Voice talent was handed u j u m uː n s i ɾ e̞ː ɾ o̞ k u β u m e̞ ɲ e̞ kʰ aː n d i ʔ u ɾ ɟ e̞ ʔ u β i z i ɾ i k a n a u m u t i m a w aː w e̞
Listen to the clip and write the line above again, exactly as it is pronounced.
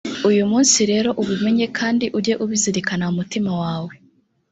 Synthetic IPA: u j u m uː n s i ɾ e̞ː ɾ o̞ ʔ u β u m e̞ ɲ e̞ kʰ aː n d i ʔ u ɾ ɟ e̞ ʔ u β i z i ɾ i k a n a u m u t i m a w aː w e̞